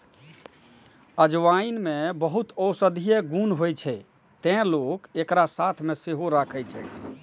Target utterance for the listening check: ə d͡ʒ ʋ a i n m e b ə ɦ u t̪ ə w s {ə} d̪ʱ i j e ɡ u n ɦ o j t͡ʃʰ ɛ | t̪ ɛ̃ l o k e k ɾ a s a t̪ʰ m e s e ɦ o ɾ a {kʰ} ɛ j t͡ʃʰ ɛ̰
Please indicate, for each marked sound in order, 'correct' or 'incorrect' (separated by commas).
correct, correct